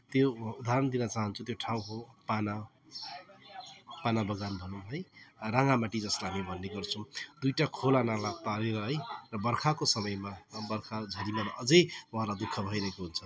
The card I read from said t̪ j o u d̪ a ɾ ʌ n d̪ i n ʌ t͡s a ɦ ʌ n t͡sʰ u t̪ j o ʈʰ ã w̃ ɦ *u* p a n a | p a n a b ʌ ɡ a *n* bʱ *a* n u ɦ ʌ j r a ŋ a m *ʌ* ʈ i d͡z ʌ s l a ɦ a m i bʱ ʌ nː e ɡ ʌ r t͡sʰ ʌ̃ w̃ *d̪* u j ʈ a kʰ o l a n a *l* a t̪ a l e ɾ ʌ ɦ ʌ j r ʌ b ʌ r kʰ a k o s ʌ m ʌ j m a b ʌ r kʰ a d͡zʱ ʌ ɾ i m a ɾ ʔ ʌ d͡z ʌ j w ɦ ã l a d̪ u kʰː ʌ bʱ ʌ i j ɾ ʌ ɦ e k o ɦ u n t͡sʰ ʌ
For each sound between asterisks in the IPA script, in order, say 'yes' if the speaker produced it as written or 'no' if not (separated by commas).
no, yes, no, no, yes, yes